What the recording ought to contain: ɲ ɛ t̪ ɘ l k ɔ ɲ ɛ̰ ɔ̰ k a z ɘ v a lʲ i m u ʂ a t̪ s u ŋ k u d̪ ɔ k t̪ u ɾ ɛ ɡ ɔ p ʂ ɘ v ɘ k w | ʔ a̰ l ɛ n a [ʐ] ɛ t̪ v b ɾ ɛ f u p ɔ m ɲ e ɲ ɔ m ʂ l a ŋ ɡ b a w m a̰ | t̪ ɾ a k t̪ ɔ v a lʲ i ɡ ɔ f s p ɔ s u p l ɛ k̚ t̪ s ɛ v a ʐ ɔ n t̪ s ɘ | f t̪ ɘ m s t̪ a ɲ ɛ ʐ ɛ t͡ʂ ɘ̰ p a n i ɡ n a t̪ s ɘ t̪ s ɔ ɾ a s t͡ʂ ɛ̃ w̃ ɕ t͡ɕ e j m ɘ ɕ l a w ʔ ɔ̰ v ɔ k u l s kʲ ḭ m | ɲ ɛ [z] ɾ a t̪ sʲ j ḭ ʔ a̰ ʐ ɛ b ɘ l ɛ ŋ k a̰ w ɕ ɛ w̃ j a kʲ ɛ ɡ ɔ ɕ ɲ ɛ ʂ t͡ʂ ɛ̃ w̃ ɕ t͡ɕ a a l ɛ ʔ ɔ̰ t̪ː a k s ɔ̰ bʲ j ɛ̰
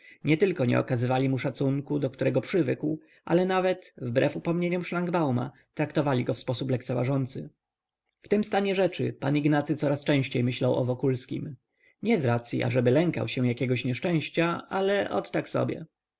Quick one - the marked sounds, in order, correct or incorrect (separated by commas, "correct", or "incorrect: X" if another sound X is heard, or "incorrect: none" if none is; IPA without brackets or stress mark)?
incorrect: v, correct